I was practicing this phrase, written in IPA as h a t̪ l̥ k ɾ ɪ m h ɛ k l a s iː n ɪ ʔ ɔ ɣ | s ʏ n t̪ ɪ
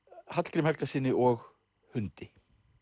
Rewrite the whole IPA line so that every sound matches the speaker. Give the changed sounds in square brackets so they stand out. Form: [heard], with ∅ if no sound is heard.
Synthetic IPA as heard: h a t̪ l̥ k ɾ ɪ m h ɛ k l a s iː n ɪ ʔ ɔ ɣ | [h] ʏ n t̪ ɪ